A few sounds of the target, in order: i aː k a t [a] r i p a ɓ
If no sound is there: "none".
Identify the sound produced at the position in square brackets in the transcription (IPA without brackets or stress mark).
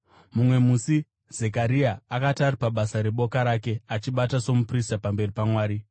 a